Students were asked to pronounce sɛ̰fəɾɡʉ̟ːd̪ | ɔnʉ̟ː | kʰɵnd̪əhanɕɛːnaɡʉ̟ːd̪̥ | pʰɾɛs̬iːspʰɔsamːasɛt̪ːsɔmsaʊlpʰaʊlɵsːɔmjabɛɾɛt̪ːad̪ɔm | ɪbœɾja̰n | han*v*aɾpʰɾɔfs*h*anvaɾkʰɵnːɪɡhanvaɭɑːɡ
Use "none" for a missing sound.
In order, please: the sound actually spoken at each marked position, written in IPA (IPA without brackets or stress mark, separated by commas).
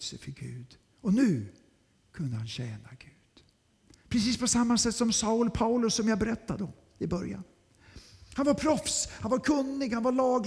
v, h